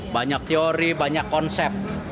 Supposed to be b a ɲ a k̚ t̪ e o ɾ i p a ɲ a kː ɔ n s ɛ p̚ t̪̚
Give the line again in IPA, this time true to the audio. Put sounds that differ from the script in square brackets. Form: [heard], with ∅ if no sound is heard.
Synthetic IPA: b a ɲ a k̚ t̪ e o ɾ i [b] a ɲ a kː ɔ n s ɛ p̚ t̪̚